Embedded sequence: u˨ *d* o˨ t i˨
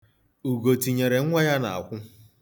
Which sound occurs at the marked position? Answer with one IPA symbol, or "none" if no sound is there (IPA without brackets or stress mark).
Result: ɡ